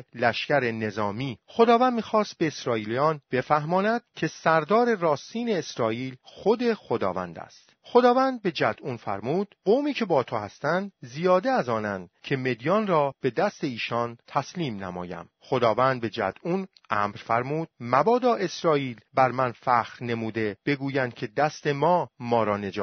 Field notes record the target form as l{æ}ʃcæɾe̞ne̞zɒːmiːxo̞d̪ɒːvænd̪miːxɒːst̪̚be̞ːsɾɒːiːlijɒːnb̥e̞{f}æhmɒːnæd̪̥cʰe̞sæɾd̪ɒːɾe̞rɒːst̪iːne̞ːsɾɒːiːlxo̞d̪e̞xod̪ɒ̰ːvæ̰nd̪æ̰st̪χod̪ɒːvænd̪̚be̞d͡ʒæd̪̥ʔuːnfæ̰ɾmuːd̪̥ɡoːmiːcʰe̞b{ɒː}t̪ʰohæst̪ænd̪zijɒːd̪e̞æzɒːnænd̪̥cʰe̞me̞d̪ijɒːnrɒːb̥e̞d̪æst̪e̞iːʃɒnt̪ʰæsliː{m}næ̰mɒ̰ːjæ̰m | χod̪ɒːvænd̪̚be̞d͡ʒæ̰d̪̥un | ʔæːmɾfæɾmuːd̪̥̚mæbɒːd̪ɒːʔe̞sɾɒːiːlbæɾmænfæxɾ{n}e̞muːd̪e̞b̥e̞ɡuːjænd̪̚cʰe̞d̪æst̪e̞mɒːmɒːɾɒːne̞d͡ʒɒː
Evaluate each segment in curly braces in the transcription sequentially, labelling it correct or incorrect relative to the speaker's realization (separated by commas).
correct, correct, correct, correct, correct